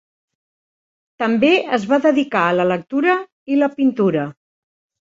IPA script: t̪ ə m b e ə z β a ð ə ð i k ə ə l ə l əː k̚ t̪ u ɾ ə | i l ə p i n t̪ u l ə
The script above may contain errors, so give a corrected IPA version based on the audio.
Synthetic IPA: t̪ ə m b e ə z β a ð ə ð i k a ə l ə l ə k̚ t̪ u ɾ ə | i l ə p i n t̪ u ɾ ə